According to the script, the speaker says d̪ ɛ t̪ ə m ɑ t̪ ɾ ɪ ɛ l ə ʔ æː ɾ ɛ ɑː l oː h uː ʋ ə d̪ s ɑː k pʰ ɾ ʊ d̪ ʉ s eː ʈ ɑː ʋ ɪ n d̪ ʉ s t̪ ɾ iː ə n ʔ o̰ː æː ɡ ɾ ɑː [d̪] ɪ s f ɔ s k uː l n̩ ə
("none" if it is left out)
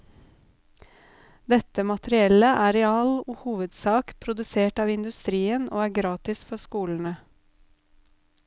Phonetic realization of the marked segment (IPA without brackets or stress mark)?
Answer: t̪